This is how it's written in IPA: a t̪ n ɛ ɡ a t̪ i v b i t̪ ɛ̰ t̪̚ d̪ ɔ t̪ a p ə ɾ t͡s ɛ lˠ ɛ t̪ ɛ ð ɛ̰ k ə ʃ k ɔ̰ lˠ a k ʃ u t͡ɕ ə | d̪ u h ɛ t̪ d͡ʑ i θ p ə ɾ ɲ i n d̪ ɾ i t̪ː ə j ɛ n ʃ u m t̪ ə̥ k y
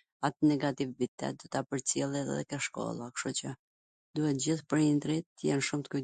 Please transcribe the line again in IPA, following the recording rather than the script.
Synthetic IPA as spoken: a t̪ n ɛ ɡ a t̪ i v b i t̪ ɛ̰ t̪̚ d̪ ɔ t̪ a p ə ɾ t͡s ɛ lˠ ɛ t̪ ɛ ð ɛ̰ k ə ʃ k ɔ̰ lˠ a k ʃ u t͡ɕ ə | d̪ u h ɛ t̪ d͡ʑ i θ p ə ɾ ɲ i n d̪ ɾ i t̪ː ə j ɛ n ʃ u m t̪ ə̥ k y